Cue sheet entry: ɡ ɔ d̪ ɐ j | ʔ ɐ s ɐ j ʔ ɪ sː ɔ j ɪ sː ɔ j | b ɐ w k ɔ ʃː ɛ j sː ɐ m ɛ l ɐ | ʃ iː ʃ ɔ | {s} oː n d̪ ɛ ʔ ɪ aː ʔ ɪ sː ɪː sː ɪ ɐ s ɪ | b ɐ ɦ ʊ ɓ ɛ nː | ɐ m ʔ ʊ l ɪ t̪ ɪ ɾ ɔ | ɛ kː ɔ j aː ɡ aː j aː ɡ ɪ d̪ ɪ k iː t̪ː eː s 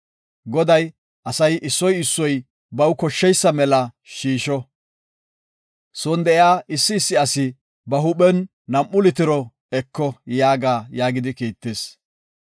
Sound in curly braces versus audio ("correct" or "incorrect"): correct